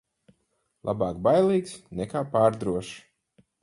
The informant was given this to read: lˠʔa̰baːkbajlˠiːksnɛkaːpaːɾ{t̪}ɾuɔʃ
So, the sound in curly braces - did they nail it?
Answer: no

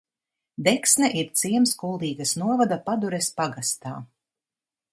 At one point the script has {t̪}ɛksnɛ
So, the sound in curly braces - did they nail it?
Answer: no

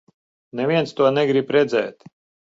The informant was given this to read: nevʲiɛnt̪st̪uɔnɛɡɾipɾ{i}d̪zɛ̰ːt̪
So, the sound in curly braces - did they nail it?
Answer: no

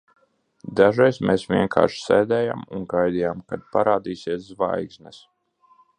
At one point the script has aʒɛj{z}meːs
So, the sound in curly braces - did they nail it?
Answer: no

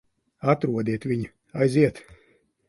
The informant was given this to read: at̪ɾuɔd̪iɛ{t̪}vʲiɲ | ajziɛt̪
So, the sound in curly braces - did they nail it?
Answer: yes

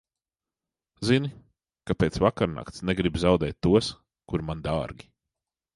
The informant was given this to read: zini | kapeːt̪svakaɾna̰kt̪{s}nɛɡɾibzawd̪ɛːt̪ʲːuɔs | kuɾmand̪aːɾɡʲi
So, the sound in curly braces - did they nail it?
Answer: yes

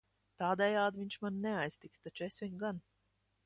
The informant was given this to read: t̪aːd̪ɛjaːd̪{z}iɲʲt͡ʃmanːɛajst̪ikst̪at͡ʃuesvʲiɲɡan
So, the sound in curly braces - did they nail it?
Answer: no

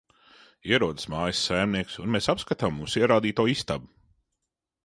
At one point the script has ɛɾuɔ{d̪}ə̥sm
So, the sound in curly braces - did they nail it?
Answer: yes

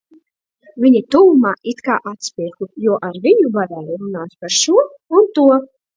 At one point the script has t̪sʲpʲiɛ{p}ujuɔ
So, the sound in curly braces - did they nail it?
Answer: no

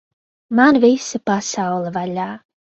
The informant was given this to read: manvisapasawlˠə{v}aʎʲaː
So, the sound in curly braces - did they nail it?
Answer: yes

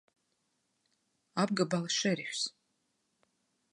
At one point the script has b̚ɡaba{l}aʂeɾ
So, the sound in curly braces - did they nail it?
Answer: yes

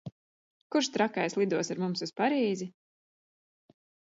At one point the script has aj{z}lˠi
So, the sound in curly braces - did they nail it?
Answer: no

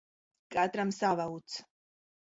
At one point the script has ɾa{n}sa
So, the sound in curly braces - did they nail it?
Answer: no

